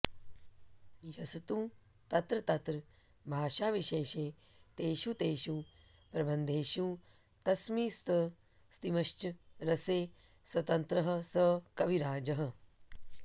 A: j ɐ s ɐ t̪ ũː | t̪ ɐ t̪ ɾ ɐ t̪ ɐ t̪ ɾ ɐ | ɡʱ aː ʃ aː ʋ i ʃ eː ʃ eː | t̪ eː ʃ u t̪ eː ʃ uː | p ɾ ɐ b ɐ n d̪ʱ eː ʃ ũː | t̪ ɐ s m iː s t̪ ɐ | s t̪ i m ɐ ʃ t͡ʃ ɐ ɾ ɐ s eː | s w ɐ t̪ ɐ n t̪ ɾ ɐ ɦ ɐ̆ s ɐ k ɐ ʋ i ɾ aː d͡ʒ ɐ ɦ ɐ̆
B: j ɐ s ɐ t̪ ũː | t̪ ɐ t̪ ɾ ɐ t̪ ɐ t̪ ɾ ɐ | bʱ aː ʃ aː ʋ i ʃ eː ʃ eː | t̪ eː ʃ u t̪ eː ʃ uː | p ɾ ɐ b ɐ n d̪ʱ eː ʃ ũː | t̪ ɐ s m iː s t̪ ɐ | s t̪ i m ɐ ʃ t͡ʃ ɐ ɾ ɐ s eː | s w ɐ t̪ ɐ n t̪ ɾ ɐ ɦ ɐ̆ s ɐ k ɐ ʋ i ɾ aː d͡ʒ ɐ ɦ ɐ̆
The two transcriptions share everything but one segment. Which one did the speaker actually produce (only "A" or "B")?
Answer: B